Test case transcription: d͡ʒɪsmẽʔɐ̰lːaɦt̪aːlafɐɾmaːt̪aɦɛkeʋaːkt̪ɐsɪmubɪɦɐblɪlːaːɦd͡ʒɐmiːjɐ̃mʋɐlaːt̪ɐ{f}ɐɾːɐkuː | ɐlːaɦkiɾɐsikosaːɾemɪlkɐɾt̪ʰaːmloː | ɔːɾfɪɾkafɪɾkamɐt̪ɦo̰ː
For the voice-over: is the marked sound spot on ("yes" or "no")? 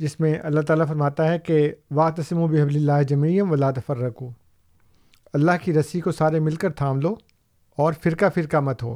yes